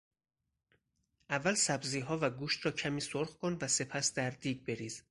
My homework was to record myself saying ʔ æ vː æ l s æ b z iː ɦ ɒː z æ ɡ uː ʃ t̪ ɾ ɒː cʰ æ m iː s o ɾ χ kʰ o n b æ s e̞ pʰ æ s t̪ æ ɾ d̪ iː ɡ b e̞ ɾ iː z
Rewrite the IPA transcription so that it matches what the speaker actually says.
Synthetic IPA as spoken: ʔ æ vː æ l s æ b z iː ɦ ɒː v æ ɡ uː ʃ t̪ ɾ ɒː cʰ æ m iː s o ɾ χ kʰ o n v æ s e̞ pʰ æ s d̪ æ ɾ d̪ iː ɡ b e̞ ɾ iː z